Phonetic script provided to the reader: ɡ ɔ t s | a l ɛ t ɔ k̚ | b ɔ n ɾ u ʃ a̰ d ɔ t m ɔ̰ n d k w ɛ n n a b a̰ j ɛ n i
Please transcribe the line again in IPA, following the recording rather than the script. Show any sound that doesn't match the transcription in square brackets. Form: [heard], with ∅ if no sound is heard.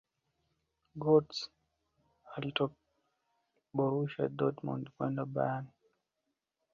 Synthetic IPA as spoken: ɡ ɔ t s | a l [i] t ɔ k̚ | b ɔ [∅] ɾ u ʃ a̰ d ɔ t m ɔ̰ n d k w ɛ n [d] a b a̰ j [a] n i

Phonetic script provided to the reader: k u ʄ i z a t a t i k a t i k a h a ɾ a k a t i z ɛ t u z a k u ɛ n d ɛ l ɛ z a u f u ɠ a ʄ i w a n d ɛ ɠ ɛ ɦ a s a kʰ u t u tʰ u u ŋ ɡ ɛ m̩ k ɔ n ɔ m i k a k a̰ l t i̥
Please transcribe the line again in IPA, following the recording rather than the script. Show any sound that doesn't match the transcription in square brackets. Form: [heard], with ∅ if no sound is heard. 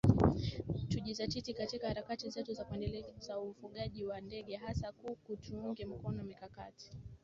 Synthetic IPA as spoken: [t] u ʄ i z a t [i] t i k a t i k a h a ɾ a k a t i z ɛ t u z a k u ɛ n d ɛ l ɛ z a u f u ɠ a ʄ i w a n d ɛ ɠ ɛ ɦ a s a [k] u [k] u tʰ u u ŋ ɡ ɛ m̩ k ɔ n ɔ m i k a k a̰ [∅] t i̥

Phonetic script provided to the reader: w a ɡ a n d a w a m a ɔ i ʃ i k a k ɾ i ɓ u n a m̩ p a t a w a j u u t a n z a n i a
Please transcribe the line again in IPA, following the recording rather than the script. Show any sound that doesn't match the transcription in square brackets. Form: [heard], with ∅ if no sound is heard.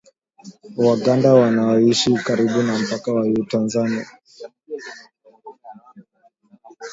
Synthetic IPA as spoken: w a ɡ a n d a w a [n] a ɔ i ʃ i k a [∅] ɾ i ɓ u n a m̩ p a [k] a w a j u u t a n z a n i a

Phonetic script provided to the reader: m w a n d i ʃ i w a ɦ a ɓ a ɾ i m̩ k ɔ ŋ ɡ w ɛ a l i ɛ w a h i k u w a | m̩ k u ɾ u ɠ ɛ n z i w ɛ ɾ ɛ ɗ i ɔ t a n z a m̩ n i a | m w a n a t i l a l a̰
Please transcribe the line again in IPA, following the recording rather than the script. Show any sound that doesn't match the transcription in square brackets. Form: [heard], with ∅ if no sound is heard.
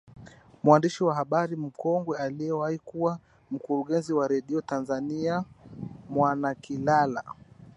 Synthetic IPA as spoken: m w a n d i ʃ i w a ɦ a ɓ a ɾ i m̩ k ɔ ŋ ɡ w ɛ a l i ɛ w a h i k u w a | m̩ k u ɾ u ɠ ɛ n z i w [a] ɾ ɛ ɗ i ɔ t a n z a [∅] n i a | m w a n a [k] i l a l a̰

